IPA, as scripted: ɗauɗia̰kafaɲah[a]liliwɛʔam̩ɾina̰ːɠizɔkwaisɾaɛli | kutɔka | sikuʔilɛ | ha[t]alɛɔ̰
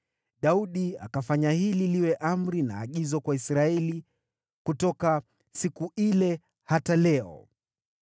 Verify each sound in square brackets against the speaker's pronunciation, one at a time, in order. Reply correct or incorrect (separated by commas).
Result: incorrect, correct